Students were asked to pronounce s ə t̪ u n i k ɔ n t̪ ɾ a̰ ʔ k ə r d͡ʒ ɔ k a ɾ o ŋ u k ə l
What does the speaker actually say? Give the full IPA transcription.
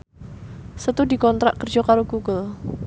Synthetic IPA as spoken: s ə t̪ u d i k ɔ n t̪ ɾ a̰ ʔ k ə r d͡ʒ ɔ k a ɾ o ɡ u ɡ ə l